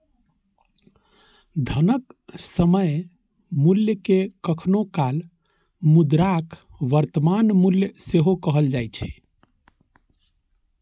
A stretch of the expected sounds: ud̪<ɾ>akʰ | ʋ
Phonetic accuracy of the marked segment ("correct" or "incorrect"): correct